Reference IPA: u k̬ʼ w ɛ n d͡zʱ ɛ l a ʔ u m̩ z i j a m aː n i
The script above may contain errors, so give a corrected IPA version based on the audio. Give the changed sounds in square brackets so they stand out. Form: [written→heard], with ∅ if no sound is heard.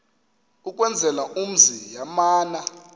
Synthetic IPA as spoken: u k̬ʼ w ɛ n d͡zʱ ɛ l a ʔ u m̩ z i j a m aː n [i→a]